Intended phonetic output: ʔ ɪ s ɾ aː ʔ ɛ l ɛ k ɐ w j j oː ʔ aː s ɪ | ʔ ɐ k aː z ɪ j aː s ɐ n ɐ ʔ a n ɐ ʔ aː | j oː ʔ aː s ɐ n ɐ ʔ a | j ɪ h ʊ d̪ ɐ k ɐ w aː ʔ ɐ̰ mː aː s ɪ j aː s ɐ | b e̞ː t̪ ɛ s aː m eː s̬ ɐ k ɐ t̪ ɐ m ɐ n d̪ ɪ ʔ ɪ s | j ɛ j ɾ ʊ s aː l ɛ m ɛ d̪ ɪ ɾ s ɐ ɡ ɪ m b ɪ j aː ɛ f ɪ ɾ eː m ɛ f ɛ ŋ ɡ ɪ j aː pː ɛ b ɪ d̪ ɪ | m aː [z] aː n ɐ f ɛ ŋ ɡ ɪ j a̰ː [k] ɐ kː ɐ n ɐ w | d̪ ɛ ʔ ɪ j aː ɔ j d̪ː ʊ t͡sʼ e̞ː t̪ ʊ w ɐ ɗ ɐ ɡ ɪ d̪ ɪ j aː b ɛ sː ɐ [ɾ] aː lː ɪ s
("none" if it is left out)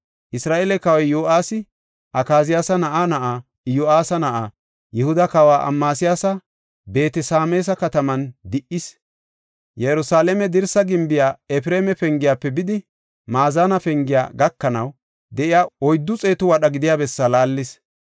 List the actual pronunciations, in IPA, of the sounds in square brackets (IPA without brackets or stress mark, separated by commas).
z, ɡ, l